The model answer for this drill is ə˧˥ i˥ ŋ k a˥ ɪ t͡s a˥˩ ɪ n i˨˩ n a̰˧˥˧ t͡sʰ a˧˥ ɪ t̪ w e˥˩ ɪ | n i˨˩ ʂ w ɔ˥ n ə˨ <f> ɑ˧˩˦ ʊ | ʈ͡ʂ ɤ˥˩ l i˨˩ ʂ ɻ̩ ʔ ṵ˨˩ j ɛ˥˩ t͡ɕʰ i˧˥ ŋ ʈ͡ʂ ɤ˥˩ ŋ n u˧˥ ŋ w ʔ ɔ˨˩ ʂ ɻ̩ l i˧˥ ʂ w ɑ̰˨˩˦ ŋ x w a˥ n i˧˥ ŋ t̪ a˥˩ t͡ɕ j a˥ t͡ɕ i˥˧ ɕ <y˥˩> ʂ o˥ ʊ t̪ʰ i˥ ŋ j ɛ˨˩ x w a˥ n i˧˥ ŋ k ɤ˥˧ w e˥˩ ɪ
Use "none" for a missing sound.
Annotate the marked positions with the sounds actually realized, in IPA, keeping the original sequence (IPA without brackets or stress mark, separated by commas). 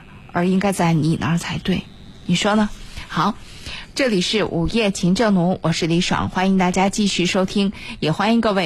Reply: x, y˥˩